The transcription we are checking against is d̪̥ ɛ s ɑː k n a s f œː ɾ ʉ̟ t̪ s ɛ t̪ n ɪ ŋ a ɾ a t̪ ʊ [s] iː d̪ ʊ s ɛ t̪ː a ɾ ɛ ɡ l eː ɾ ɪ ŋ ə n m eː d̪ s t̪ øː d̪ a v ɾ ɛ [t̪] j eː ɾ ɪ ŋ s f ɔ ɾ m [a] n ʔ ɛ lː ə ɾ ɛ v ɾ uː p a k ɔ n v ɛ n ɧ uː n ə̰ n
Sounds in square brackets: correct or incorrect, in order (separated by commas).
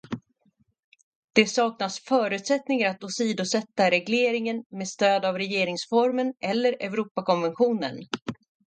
correct, incorrect, incorrect